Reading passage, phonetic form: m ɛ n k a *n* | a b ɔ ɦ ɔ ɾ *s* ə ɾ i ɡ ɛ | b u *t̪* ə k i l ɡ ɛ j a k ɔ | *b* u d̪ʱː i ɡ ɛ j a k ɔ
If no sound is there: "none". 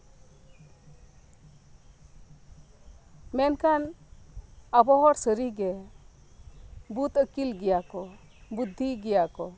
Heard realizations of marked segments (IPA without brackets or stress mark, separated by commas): n, s, t̪, b